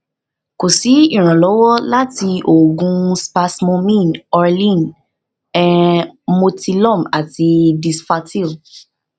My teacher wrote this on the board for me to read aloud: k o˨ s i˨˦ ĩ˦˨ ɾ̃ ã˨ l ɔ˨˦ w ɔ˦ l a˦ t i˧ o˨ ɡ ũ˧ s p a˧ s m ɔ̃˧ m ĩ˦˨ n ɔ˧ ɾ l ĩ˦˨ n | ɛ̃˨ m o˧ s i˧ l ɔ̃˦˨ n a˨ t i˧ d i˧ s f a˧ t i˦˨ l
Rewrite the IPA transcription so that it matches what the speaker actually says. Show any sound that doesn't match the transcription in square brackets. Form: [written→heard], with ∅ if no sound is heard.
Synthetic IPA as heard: k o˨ s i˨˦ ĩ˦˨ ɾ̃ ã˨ l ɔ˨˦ w ɔ˦ l a˦ t i˧ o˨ ɡ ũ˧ s p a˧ s m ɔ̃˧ m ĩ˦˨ n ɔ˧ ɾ l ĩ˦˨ n | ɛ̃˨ m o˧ [s→t] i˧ l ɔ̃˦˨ [n→m] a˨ t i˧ d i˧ s f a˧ t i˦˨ l